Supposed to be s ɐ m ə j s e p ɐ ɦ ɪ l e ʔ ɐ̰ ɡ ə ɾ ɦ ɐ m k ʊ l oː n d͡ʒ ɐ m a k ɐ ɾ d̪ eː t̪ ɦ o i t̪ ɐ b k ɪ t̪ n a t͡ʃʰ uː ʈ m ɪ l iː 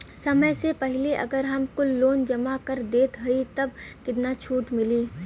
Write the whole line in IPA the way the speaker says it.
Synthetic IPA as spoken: s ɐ m ə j s e p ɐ ɦ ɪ l e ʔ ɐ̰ ɡ ə ɾ ɦ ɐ m k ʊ l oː n d͡ʒ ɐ m a k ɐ ɾ d̪ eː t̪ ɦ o i t̪ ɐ b k ɪ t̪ n a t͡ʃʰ uː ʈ m ɪ l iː